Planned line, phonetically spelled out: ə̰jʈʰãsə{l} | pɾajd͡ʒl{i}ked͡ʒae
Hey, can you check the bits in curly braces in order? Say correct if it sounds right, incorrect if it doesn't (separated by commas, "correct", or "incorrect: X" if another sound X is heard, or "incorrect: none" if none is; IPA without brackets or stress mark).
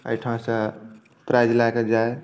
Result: incorrect: none, incorrect: a